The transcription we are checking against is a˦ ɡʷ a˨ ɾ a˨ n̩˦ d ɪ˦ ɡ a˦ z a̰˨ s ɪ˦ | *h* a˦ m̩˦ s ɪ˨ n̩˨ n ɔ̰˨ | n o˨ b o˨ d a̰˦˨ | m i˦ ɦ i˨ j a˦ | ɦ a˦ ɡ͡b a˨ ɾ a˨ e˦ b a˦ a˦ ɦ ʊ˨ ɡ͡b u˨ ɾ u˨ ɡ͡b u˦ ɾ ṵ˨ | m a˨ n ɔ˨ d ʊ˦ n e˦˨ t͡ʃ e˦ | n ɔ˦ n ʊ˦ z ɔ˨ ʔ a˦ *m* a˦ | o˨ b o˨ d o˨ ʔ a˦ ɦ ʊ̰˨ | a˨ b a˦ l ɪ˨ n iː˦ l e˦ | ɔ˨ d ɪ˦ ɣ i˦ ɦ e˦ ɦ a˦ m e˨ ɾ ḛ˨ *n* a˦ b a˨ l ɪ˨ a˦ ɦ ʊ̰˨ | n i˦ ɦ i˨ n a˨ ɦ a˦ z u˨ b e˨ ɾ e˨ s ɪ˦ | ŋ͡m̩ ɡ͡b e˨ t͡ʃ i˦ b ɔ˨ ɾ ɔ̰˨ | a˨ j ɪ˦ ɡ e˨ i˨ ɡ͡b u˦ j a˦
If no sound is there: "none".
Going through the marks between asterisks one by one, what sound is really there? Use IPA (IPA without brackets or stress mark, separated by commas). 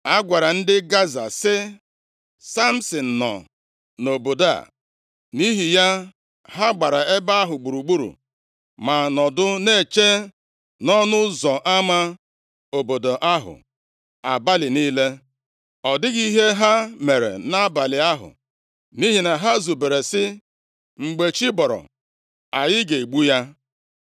s, m, n